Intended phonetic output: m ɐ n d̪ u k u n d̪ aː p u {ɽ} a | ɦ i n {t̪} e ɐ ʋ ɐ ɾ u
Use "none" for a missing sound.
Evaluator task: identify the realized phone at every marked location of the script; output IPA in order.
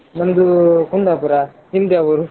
ɾ, d̪

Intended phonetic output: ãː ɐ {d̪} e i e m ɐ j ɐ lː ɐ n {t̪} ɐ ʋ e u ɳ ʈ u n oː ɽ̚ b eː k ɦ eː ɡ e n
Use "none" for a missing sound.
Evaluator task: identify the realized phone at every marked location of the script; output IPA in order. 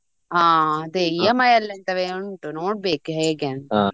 d̪, t̪

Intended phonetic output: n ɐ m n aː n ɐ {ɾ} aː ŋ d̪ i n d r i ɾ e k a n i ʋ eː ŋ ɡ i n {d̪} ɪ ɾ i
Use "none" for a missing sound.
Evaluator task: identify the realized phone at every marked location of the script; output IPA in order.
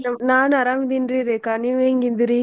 ɾ, d̪

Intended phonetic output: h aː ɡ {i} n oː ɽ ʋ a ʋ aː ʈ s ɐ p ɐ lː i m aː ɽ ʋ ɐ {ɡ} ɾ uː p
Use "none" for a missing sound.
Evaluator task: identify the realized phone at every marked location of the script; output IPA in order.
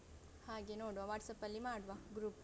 e, ɡ

